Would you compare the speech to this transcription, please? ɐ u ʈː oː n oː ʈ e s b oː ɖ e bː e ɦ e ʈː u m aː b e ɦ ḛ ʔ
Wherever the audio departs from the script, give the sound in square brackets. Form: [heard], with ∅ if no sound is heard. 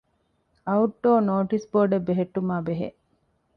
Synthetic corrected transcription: ɐ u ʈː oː n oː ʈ [i] s b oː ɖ e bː e ɦ e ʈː u m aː b e ɦ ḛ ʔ